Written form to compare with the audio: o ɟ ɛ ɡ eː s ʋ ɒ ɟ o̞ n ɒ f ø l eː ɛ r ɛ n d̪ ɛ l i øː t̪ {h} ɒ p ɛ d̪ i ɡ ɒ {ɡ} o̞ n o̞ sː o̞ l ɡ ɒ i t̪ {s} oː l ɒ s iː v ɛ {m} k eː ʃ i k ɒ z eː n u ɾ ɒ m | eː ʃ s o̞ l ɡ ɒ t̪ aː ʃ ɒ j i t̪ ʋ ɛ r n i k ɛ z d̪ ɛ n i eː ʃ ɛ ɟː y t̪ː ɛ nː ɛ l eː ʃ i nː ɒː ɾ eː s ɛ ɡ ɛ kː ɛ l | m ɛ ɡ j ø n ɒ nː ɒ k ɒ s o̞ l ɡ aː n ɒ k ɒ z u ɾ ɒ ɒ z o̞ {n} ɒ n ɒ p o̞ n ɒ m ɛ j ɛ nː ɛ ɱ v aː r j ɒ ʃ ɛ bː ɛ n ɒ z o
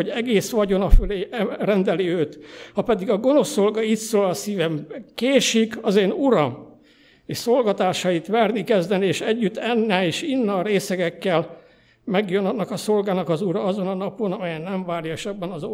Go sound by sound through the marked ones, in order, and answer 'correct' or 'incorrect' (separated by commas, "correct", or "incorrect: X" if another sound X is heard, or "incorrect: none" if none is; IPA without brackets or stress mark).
correct, correct, correct, correct, correct